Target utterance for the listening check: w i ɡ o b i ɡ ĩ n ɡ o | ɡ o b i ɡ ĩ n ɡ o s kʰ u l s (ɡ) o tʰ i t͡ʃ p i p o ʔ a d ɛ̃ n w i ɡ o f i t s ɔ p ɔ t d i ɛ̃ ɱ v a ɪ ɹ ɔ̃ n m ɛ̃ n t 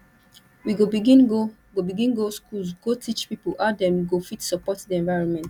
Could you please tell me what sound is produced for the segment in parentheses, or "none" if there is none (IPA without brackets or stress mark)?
ɡ